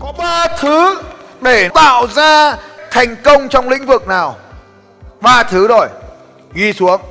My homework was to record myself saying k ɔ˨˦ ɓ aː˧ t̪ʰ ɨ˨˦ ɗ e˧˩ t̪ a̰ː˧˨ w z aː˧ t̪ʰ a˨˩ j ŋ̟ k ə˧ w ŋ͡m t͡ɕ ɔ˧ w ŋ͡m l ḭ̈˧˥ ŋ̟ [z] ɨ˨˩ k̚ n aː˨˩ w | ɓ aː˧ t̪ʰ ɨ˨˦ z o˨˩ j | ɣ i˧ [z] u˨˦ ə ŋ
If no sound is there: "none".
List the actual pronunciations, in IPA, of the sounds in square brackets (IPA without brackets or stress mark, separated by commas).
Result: v, s